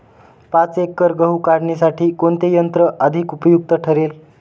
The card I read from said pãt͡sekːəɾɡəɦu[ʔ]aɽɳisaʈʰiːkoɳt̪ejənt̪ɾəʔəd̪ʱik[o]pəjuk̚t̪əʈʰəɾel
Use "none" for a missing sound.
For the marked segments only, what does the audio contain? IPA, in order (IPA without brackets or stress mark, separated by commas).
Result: k, u